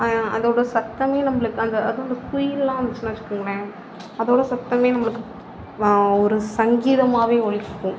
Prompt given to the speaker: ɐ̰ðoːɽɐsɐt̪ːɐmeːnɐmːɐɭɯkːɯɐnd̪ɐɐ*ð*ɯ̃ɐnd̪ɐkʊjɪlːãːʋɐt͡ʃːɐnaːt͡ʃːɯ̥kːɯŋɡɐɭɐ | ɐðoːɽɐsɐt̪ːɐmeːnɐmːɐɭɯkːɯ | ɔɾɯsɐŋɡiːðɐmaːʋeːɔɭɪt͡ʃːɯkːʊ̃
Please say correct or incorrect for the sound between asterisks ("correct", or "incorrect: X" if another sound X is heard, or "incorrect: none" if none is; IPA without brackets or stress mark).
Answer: correct